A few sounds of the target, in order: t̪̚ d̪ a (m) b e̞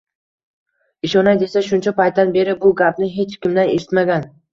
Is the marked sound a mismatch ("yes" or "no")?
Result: yes